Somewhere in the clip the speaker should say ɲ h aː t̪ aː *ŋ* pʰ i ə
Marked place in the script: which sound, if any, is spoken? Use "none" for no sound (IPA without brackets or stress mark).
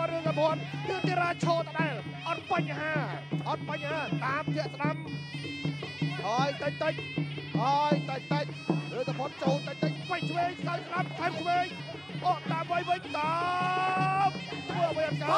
m